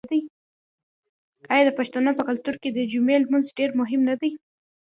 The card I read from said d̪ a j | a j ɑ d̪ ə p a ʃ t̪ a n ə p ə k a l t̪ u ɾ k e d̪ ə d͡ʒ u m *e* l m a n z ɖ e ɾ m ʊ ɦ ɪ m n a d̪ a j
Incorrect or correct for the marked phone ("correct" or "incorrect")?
correct